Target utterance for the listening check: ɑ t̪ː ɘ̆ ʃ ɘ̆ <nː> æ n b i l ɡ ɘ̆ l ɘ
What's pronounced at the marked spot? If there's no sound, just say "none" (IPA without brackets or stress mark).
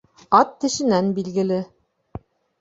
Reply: n